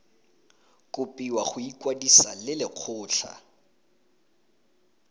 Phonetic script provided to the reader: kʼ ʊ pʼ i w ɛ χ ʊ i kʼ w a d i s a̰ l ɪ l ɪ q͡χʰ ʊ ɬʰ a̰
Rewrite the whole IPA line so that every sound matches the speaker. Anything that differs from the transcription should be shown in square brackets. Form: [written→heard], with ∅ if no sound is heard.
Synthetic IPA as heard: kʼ ʊ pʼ i w [ɛ→a] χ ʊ i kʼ w a d i s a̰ l ɪ l ɪ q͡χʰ [ʊ→ʊː] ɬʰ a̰